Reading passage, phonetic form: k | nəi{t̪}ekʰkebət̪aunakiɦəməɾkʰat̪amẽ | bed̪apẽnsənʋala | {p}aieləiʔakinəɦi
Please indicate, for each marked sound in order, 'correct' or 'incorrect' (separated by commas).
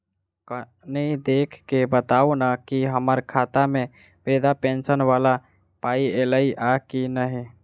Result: incorrect, correct